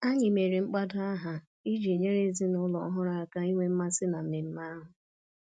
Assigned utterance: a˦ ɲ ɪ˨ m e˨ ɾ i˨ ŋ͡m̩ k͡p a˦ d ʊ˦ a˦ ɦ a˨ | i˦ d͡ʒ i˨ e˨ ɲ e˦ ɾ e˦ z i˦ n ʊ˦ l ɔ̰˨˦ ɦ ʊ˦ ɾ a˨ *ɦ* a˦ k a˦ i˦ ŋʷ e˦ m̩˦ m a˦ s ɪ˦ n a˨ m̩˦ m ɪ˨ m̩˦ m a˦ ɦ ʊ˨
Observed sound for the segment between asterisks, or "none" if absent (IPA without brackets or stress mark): none